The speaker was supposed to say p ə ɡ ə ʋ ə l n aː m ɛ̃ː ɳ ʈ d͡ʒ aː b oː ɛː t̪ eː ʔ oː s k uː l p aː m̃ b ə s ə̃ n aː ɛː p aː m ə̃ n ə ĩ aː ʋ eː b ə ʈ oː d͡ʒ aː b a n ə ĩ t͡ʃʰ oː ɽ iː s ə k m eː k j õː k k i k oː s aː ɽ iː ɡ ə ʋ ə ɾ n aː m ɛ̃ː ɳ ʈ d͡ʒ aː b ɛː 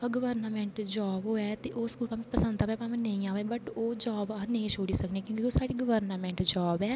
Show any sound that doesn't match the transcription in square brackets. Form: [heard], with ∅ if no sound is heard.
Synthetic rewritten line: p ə ɡ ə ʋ ə [ɾ] n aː m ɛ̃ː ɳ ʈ d͡ʒ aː b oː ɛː t̪ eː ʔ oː s k uː l p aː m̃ [p] ə s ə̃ n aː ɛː p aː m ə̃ n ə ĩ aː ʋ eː b ə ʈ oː d͡ʒ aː b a n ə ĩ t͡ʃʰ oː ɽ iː s ə k [n] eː k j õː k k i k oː s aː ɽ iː ɡ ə ʋ ə ɾ n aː m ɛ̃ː ɳ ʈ d͡ʒ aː b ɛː